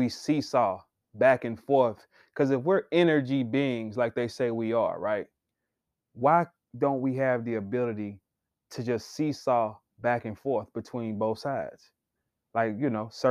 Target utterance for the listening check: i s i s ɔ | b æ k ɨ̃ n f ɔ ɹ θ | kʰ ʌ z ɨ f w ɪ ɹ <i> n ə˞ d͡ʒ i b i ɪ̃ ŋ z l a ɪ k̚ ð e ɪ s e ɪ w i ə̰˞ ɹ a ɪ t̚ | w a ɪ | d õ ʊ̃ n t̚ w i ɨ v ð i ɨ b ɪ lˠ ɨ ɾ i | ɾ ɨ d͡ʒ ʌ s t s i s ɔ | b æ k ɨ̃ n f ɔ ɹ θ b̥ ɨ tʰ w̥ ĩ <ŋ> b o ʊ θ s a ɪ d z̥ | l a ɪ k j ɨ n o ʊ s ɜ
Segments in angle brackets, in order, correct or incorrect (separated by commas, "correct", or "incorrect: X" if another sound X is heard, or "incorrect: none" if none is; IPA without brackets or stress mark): incorrect: ɛ, incorrect: n